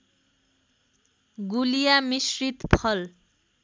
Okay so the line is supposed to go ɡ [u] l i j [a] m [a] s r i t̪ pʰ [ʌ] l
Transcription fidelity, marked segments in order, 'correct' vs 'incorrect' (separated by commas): correct, correct, incorrect, correct